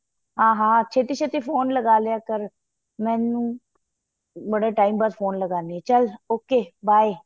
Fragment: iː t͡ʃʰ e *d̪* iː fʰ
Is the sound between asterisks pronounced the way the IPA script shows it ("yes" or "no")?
no